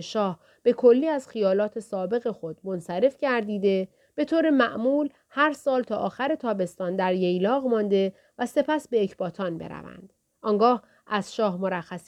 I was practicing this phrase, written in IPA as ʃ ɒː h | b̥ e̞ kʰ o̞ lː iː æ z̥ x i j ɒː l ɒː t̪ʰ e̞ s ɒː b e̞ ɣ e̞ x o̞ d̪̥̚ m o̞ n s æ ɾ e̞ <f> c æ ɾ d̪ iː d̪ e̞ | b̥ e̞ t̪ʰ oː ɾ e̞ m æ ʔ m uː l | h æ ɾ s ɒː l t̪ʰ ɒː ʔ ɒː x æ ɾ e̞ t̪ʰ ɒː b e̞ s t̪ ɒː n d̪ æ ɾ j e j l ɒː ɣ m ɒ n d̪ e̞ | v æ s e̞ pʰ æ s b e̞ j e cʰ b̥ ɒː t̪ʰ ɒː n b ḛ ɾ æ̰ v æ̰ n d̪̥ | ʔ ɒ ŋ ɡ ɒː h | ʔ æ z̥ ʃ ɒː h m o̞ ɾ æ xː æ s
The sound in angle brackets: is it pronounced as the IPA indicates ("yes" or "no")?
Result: yes